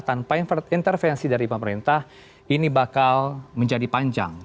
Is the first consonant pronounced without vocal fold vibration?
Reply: yes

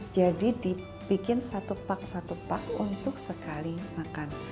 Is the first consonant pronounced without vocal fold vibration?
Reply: no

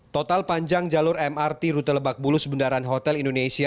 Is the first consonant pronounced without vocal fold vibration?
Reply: yes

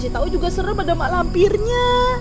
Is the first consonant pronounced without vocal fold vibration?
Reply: yes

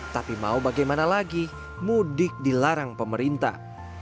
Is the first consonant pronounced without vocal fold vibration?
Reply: yes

